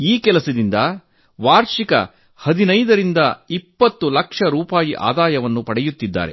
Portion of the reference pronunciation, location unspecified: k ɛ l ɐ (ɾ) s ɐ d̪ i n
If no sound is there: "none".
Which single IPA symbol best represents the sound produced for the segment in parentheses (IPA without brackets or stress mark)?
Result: none